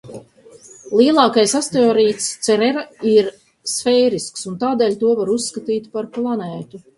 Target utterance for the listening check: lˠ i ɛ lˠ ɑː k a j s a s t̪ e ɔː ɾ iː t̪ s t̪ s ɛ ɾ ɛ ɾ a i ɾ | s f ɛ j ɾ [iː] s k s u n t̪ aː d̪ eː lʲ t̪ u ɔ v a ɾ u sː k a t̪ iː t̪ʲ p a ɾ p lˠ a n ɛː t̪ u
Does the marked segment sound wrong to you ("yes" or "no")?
yes